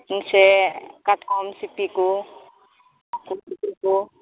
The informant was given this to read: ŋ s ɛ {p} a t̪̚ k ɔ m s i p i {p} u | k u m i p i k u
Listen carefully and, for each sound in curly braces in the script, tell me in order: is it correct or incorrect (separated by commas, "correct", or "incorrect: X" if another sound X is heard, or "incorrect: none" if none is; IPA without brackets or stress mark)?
incorrect: k, incorrect: k